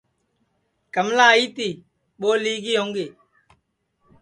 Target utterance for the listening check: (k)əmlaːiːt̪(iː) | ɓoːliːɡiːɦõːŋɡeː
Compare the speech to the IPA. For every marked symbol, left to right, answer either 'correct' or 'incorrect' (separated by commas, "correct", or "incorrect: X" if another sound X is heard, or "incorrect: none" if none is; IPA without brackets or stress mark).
correct, correct